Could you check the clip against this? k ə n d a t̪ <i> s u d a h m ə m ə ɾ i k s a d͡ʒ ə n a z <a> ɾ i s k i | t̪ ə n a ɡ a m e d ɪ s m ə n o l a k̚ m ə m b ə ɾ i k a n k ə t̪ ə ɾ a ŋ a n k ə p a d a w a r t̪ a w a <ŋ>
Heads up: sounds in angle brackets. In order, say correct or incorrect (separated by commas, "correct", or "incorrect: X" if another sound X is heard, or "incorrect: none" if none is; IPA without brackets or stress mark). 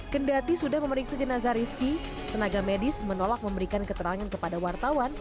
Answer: correct, correct, incorrect: n